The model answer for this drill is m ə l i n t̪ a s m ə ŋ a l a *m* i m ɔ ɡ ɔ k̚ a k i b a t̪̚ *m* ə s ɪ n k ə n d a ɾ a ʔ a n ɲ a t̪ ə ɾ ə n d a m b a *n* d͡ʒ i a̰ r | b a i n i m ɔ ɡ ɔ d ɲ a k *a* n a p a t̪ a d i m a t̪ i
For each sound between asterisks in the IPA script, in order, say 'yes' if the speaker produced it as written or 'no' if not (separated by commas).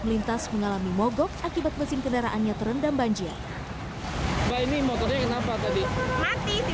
yes, yes, no, no